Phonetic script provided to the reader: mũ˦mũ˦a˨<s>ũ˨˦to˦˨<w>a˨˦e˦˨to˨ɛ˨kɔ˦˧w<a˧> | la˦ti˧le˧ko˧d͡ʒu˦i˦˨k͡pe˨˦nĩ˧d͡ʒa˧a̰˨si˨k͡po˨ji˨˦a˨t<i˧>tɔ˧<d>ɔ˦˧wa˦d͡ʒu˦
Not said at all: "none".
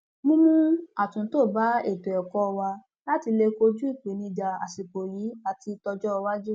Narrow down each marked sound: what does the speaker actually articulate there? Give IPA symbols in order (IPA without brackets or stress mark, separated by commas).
t, b, a˧, i˧, d͡ʒ